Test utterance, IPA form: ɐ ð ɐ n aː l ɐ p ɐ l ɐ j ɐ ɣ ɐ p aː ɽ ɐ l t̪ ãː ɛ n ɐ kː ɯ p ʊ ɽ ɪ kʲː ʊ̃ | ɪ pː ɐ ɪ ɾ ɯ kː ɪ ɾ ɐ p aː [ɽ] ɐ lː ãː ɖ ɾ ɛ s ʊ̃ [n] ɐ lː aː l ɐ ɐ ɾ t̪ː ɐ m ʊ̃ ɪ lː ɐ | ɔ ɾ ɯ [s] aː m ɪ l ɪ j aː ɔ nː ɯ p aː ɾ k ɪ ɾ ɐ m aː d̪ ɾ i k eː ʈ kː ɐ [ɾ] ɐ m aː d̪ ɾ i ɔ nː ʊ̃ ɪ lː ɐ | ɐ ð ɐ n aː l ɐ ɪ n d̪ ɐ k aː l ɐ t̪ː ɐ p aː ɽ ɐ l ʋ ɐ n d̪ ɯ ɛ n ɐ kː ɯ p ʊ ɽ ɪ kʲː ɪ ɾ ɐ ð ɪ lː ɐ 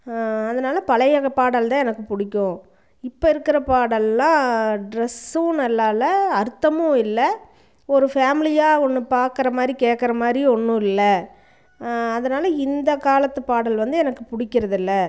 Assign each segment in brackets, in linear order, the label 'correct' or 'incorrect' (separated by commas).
correct, correct, incorrect, correct